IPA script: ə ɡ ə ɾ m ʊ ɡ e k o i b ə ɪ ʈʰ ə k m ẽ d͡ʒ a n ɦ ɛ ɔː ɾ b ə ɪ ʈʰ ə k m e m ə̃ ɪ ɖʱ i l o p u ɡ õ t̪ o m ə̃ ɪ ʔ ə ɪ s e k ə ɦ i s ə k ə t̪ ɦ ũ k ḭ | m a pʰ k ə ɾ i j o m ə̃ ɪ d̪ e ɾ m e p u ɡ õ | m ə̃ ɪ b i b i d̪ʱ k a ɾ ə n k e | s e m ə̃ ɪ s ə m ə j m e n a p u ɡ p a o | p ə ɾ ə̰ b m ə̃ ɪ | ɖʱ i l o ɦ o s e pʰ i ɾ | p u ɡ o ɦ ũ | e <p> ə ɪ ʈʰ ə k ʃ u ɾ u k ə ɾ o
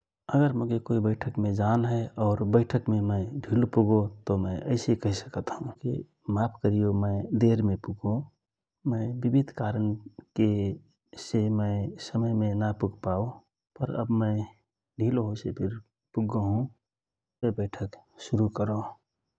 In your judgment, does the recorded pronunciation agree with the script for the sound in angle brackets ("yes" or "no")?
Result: no